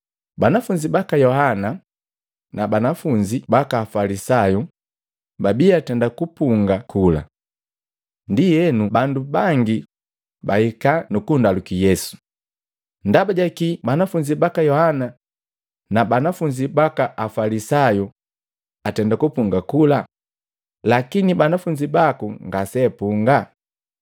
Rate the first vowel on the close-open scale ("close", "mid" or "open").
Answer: open